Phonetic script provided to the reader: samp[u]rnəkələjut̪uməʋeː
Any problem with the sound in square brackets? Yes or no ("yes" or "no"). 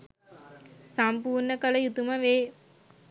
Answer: yes